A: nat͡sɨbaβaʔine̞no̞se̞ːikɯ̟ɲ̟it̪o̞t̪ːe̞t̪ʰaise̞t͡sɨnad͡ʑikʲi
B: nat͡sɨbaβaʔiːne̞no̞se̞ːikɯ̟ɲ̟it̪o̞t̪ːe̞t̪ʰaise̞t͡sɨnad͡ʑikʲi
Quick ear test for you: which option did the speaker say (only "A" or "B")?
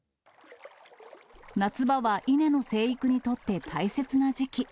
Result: A